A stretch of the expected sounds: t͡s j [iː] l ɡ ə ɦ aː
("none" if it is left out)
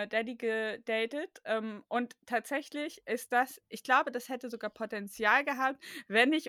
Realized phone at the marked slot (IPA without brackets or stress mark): aː